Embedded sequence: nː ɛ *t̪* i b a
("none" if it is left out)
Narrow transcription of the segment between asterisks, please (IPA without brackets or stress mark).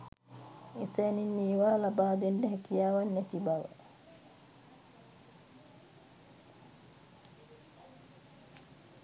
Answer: t̪